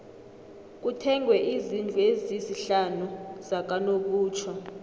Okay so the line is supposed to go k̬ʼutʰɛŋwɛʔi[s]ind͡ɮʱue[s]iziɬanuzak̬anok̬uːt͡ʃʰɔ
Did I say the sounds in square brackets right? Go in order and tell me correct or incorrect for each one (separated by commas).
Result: incorrect, incorrect